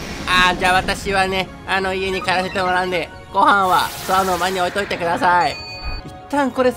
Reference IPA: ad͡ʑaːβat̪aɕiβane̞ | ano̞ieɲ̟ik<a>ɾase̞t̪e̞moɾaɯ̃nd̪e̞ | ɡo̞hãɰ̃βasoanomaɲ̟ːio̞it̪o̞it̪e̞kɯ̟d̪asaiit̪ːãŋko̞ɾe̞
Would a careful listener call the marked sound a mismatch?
no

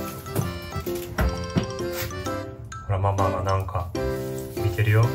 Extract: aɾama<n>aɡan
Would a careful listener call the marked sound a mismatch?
yes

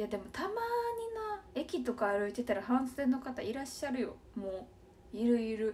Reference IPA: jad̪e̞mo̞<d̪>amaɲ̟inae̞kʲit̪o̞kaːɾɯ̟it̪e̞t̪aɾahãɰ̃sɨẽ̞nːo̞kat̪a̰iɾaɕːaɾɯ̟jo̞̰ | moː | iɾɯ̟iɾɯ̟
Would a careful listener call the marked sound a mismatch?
yes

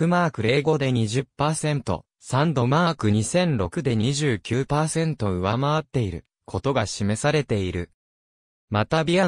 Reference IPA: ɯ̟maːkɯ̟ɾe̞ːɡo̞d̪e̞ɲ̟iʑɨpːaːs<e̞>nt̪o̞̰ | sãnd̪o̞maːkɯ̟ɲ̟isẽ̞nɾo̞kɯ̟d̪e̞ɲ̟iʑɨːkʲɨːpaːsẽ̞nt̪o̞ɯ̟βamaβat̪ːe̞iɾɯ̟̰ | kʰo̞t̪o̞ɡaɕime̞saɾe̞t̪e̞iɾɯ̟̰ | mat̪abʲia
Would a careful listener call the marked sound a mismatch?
yes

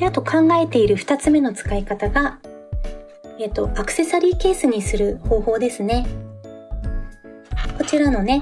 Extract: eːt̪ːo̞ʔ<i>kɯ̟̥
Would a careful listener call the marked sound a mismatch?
yes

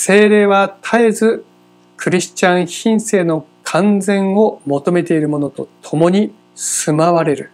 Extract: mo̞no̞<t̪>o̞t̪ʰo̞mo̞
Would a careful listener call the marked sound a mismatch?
no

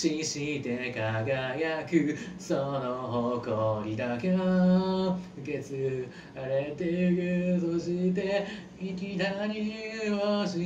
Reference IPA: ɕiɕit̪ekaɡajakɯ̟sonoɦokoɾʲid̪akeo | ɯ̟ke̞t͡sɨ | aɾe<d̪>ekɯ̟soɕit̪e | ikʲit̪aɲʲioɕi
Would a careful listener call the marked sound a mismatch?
yes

